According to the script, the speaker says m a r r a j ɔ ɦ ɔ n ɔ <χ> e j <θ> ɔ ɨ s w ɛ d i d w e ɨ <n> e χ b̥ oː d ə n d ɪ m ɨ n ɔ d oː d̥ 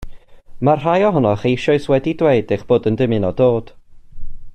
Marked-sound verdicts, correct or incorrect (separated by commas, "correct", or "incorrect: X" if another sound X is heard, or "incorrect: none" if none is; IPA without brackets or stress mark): correct, incorrect: ʃ, incorrect: d